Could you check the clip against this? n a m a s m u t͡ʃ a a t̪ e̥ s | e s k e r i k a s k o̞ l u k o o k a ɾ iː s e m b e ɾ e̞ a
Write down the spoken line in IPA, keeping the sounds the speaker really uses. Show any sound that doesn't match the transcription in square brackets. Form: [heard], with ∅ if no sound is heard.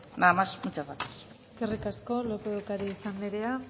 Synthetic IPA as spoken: n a m a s m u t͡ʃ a a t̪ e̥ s | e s k e r i k a s k o̞ l [o] k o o k a ɾ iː s [a] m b e ɾ e̞ a

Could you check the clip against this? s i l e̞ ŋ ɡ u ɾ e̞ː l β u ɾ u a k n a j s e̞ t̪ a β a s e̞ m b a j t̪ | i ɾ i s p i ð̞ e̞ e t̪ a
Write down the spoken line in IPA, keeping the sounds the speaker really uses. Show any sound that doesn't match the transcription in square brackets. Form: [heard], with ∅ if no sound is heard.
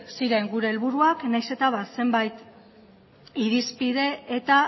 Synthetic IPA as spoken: s i [ɾ] e̞ ŋ ɡ u ɾ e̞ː l β u ɾ u a k n a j s e̞ t̪ a β a s e̞ m b a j t̪ | i ɾ i s p i ð̞ e̞ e t̪ a

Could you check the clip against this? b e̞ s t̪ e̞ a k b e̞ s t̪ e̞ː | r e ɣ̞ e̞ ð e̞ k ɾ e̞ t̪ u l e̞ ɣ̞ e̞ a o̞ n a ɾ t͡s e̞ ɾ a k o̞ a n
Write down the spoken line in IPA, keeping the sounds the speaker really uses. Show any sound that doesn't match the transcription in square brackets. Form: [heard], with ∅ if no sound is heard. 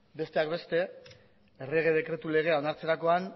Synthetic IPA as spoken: b e̞ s t̪ e̞ a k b e̞ s t̪ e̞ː | r e ɣ̞ e̞ ð e̞ k ɾ e̞ t̪ u l e̞ ɣ̞ e̞ a o̞ n a ɾ t͡s e̞ ɾ a k o̞ a n

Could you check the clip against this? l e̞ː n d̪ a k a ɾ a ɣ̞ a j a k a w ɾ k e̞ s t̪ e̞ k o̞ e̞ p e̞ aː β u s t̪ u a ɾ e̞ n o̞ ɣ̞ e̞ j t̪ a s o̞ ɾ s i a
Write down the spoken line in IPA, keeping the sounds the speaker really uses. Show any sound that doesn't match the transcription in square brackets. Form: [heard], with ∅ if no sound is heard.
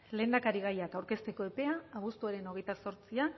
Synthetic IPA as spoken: l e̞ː n d̪ a k a ɾ [i] ɣ̞ a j a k a w ɾ k e̞ s t̪ e̞ k o̞ e̞ p e̞ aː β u s t̪ u a ɾ e̞ n o̞ ɣ̞ e̞ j t̪ a s o̞ ɾ [t͡s] i a

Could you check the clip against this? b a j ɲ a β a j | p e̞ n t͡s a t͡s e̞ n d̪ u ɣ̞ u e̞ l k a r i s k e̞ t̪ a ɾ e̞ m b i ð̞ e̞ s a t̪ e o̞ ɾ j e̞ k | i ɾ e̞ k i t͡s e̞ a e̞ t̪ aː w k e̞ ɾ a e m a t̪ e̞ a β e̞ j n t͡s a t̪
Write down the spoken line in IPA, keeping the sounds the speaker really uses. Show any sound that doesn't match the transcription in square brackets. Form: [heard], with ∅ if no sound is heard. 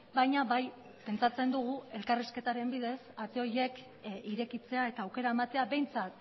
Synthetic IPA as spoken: b a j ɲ a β a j | p e̞ n t͡s a t͡s e̞ n d̪ u ɣ̞ u e̞ l k a r i s k e̞ t̪ a ɾ e̞ m b i ð̞ e̞ s a t̪ e o̞ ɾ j e̞ k | i ɾ e̞ k i t͡s e̞ a e̞ t̪ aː w k e̞ ɾ a e m a t̪ e̞ a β e̞ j n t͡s a t̪

